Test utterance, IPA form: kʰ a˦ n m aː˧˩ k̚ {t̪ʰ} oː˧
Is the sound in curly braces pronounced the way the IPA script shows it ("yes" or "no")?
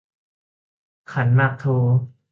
yes